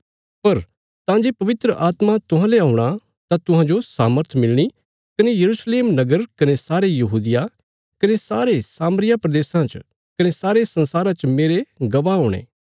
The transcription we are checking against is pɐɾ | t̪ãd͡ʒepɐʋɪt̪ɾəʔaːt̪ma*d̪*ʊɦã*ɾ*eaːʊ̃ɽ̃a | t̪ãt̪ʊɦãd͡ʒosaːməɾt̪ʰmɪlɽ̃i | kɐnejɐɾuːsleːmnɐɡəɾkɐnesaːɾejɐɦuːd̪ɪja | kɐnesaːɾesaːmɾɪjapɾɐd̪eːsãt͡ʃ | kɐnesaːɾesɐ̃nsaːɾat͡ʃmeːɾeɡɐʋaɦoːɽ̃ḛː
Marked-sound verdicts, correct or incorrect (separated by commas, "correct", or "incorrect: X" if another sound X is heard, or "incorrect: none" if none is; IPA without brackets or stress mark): incorrect: t̪, incorrect: l